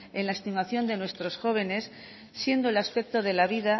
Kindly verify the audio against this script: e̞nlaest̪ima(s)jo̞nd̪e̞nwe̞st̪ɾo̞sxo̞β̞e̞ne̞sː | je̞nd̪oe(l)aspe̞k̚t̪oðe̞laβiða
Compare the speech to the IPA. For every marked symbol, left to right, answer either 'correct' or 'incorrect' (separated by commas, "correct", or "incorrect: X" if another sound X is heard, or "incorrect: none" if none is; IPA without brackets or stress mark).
incorrect: θ, correct